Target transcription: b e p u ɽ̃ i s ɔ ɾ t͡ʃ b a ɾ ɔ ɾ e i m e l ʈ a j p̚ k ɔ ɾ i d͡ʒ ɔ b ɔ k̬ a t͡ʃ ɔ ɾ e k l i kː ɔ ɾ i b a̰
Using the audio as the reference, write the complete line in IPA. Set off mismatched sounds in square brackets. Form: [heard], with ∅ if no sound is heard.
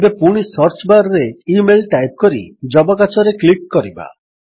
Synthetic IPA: b e p u ɽ̃ i s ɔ ɾ t͡ʃ b a ɾ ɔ ɾ e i m e l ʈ a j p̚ k ɔ ɾ i d͡ʒ ɔ b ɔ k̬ a t͡ʃ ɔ ɾ e k l i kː ɔ ɾ i b a̰